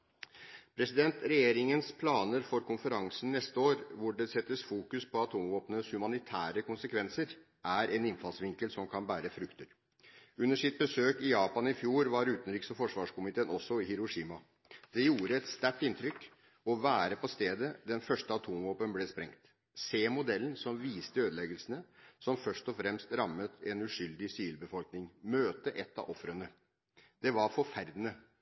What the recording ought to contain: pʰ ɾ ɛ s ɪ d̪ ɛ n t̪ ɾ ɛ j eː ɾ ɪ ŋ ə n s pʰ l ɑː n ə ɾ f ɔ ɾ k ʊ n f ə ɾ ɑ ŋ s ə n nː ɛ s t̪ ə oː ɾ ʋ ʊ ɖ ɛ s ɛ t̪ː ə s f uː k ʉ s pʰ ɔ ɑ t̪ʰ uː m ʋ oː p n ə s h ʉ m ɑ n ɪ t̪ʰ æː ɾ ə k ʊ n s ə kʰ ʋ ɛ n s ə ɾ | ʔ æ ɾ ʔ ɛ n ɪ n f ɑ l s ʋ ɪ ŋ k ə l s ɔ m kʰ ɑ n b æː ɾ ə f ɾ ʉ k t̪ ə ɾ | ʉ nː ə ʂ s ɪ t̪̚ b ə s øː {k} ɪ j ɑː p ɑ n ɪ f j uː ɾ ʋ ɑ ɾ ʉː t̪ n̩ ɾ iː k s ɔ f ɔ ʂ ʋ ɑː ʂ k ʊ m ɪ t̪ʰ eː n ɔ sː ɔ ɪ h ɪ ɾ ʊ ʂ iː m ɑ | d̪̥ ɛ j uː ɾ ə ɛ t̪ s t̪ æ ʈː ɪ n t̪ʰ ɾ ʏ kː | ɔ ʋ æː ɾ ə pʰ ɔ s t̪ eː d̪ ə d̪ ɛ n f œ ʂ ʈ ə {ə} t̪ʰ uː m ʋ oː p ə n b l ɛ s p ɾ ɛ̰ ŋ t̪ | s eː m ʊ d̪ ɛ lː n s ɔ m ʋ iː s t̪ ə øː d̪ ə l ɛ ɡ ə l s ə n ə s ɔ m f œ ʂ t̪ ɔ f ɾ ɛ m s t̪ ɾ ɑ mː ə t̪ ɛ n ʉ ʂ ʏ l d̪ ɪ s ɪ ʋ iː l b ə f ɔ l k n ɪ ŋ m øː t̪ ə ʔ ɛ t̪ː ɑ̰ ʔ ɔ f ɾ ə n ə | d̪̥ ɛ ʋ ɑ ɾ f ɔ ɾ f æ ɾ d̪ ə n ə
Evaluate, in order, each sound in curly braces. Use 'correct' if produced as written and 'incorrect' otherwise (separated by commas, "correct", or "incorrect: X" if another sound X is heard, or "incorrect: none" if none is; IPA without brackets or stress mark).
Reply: correct, incorrect: ɑ